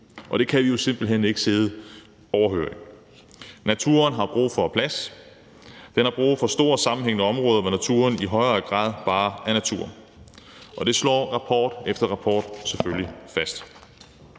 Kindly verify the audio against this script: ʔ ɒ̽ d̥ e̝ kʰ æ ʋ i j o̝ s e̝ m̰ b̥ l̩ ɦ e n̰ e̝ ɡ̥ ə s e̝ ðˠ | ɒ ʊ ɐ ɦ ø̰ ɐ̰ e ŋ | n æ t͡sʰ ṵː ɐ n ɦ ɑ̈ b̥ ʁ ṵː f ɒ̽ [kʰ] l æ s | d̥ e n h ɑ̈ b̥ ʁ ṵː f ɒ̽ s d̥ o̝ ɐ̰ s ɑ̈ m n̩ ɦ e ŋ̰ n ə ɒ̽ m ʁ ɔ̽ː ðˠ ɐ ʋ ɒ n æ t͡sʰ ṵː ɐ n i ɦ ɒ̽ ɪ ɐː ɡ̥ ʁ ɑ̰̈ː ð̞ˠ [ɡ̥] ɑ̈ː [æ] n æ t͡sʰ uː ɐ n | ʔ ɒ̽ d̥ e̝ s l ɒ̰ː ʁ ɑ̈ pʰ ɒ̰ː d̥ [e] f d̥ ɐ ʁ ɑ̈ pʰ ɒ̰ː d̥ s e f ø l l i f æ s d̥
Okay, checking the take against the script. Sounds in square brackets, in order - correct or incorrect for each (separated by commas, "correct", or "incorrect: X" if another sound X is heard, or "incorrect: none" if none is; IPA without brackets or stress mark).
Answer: incorrect: pʰ, incorrect: b̥, correct, correct